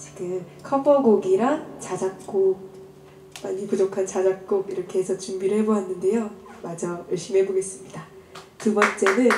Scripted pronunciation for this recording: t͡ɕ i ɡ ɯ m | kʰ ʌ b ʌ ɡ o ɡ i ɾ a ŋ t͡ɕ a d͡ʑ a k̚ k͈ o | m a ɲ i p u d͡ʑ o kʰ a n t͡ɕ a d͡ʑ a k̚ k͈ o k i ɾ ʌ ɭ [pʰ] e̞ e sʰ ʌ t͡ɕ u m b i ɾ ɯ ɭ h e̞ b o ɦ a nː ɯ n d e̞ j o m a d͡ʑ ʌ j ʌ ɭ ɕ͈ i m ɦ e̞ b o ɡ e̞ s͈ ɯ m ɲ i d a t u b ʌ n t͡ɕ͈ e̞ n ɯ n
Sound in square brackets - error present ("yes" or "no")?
yes